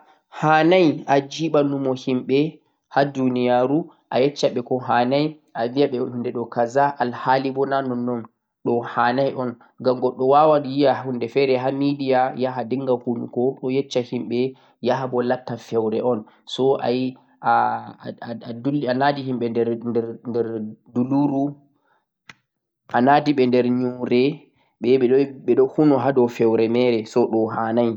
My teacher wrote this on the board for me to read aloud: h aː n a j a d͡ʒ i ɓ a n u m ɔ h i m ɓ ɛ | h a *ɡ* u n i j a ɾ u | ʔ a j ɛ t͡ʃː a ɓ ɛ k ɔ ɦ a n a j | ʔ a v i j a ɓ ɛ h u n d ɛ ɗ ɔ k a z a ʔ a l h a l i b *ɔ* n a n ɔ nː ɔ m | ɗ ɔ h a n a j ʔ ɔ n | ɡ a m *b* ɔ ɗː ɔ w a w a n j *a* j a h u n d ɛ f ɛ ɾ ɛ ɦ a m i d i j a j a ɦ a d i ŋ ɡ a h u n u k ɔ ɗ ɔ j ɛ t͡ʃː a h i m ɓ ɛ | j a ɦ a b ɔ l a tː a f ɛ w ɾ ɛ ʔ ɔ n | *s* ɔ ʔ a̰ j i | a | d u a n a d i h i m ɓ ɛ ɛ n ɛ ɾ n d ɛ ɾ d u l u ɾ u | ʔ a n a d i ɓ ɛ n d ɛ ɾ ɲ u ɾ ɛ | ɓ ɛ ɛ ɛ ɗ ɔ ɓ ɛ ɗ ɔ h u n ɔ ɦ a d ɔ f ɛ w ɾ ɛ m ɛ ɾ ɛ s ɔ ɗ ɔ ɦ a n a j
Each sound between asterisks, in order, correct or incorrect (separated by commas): incorrect, correct, incorrect, incorrect, correct